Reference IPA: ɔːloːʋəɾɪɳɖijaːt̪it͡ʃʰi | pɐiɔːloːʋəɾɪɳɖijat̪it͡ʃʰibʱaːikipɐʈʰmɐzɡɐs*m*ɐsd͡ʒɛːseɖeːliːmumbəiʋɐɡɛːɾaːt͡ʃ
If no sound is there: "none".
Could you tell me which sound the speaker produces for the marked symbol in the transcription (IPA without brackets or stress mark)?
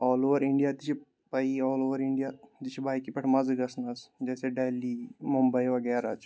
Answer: n